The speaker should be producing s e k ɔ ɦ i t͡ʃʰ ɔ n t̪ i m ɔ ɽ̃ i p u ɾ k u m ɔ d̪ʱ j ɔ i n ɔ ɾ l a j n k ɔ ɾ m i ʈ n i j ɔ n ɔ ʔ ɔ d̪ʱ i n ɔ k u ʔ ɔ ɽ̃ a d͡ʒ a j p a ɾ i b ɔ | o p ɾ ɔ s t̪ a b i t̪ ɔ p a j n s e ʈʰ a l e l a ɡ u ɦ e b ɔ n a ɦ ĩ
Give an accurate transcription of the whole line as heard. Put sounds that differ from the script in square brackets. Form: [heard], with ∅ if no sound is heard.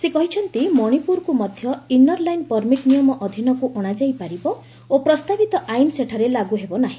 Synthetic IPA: s e k ɔ ɦ i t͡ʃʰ ɔ n t̪ i m ɔ ɽ̃ i p u ɾ k u m ɔ d̪ʱ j ɔ i n ɔ ɾ l a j n [p] ɔ ɾ m i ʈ n i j ɔ [m] ɔ ʔ ɔ d̪ʱ i n ɔ k u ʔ ɔ ɽ̃ a d͡ʒ a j p a ɾ i b ɔ | o p ɾ ɔ s t̪ a b i t̪ ɔ [ʔ] a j n s e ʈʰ a [ɾ] e l a ɡ u ɦ e b ɔ n a ɦ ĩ